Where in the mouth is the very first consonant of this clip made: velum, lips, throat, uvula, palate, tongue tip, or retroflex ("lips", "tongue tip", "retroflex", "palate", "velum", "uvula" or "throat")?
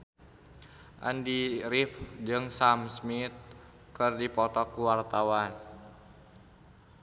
throat